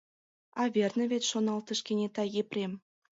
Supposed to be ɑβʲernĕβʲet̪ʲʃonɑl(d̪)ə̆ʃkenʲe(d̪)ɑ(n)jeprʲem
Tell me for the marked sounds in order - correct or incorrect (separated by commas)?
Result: incorrect, incorrect, incorrect